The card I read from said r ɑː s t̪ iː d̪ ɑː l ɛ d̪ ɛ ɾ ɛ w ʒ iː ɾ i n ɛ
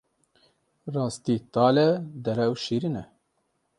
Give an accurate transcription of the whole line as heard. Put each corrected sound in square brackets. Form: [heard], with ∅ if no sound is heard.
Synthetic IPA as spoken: r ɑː s t̪ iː [t̪] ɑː l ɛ d̪ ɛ ɾ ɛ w [ʃ] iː ɾ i n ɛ